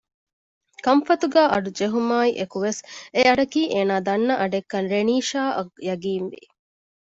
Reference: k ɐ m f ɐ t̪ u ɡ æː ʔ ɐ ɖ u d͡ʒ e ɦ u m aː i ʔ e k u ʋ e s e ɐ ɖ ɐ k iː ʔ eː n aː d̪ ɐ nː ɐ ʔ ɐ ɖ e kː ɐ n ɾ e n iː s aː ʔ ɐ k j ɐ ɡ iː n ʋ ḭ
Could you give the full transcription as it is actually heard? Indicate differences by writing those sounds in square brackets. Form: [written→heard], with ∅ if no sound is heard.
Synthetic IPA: k ɐ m f ɐ t̪ u ɡ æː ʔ ɐ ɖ u d͡ʒ e ɦ u m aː i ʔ e k u ʋ e s e ɐ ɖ ɐ k iː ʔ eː n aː d̪ ɐ nː ɐ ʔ ɐ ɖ e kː ɐ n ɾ e n iː [s→ʃ] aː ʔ ɐ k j ɐ ɡ iː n ʋ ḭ